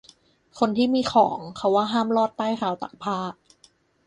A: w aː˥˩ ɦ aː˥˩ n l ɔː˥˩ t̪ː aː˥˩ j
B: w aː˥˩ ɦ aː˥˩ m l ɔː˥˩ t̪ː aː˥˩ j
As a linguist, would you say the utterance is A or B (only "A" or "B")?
B